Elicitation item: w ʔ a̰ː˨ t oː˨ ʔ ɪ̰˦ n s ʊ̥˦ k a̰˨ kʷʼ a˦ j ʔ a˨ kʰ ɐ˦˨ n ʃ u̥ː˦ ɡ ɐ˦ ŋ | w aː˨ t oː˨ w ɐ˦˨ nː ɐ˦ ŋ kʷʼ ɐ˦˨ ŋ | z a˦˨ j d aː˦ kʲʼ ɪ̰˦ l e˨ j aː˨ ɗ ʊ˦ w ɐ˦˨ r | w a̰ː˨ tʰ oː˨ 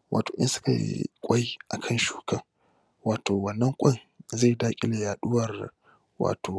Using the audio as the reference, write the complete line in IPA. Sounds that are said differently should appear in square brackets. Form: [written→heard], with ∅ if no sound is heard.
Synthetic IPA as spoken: w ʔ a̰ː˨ t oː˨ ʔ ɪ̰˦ n s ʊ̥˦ k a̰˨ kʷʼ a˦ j ʔ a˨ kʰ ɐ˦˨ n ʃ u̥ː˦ [ɡ→k] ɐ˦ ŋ | w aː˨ t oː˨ w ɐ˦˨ nː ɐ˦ ŋ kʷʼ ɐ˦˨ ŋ | z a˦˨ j d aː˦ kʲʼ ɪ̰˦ l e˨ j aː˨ ɗ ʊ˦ w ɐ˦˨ r | w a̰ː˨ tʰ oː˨